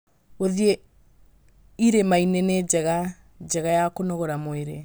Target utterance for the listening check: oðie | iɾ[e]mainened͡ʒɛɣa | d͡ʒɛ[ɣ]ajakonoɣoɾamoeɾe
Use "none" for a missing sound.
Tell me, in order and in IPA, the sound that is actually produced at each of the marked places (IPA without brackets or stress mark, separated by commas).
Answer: e, ɣ